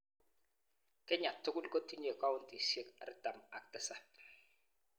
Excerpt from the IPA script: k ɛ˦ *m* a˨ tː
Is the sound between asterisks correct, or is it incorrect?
incorrect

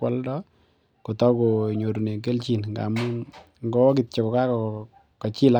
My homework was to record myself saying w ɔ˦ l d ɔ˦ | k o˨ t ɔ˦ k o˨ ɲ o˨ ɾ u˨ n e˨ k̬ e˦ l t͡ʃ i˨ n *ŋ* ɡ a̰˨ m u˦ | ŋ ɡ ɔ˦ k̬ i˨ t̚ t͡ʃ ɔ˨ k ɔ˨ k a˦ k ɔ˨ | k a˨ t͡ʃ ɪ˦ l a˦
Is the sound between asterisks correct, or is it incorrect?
correct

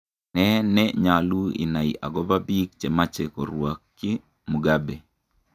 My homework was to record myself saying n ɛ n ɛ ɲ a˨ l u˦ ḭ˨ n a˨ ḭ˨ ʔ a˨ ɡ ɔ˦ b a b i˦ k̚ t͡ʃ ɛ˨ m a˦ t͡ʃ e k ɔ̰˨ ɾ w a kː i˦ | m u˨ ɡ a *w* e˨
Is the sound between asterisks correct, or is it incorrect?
incorrect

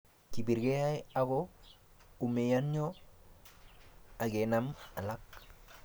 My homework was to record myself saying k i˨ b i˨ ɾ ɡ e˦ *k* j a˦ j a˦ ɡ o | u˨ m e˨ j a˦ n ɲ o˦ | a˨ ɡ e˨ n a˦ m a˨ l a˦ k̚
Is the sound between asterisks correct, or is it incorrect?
incorrect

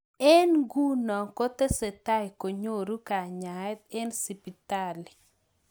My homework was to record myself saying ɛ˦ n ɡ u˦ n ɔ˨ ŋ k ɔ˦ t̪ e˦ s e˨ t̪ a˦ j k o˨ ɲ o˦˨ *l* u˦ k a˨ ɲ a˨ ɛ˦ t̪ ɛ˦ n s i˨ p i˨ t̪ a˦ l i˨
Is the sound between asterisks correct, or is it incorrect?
incorrect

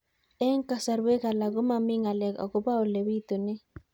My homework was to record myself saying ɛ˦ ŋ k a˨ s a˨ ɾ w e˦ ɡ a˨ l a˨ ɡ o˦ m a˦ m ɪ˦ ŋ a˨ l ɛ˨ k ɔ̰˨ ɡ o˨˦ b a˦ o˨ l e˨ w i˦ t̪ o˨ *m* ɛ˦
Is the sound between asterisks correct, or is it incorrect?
incorrect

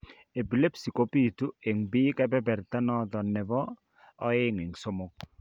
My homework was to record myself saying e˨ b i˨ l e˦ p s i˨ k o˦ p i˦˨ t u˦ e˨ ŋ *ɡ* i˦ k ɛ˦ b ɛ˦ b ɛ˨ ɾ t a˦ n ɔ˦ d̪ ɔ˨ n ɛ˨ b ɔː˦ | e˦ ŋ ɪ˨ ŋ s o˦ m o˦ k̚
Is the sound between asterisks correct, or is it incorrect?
incorrect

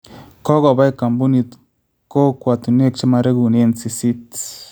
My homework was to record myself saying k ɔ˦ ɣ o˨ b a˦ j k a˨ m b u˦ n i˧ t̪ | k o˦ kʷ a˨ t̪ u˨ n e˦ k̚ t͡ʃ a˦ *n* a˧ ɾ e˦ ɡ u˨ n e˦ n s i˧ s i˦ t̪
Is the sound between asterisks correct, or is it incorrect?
incorrect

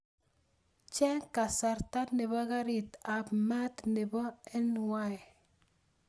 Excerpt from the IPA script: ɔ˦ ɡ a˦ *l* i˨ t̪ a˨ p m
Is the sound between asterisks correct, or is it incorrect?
incorrect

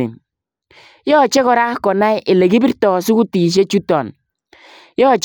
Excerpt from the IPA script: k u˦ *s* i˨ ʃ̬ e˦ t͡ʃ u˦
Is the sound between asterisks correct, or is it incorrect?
incorrect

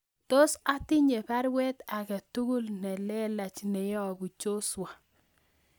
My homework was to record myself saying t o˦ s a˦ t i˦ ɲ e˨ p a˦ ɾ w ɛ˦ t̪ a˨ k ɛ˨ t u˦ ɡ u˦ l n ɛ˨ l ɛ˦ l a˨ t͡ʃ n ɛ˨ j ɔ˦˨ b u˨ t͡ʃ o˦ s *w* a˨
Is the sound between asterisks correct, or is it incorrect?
correct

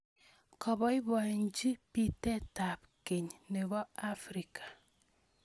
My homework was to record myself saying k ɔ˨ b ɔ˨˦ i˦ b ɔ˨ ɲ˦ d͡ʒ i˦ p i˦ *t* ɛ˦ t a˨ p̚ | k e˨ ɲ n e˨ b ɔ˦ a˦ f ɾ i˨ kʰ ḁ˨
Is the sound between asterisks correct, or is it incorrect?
correct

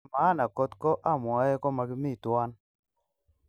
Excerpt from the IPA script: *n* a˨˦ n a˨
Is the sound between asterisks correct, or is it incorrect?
incorrect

